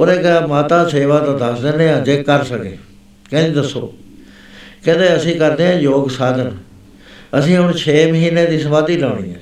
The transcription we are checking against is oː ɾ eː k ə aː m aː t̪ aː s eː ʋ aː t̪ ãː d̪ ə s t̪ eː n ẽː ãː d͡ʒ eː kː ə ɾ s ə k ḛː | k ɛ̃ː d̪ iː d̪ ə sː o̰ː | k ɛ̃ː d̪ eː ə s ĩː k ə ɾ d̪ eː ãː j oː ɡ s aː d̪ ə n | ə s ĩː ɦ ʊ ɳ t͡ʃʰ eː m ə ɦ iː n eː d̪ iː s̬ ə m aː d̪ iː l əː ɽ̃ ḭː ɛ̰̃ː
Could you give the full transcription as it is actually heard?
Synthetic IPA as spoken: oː ɾ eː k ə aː m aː t̪ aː s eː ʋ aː t̪ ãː d̪ ə s d̪ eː n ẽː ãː d͡ʒ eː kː ə ɾ s ə k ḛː | k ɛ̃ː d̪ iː d̪ ə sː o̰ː | k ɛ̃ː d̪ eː ə s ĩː k ə ɾ d̪ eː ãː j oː ɡ s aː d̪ ə n | ə s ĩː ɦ ʊ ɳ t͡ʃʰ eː m ə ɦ iː n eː d̪ iː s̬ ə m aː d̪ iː l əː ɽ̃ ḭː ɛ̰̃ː